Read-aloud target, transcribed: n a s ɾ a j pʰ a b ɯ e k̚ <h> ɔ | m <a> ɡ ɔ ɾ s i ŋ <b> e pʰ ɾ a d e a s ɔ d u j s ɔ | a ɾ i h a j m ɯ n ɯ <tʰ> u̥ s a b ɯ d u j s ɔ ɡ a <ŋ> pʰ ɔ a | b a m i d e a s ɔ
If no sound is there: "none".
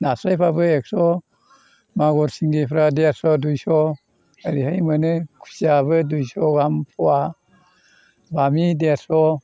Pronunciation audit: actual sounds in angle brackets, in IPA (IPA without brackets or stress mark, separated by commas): s, a, ɡ, kʰ, m